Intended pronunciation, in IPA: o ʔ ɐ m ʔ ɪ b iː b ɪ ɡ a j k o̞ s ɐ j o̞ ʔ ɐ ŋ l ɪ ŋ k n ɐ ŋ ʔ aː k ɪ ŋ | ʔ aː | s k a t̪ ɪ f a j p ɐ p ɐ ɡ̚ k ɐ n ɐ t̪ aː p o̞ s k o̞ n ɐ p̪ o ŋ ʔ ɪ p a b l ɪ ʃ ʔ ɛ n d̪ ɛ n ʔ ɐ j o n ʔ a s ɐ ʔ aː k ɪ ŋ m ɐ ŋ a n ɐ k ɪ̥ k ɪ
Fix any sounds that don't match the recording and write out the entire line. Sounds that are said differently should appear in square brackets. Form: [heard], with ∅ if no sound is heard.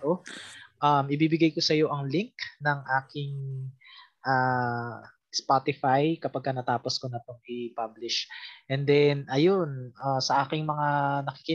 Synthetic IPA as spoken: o ʔ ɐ m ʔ ɪ b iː b ɪ ɡ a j k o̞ s ɐ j o̞ ʔ ɐ ŋ l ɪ ŋ k n ɐ ŋ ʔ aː k ɪ ŋ | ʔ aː | s [p] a t̪ ɪ f a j [k] ɐ p ɐ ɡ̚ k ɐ n ɐ t̪ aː p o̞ s k o̞ n ɐ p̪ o ŋ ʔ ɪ p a b l ɪ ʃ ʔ ɛ n d̪ ɛ n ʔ ɐ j o n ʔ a s ɐ ʔ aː k ɪ ŋ m ɐ ŋ a n ɐ k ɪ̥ k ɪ